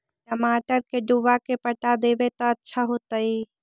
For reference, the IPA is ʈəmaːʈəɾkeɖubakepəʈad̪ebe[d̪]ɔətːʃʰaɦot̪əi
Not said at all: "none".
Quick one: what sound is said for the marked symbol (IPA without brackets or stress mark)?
t̪